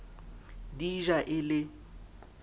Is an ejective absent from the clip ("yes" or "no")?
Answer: yes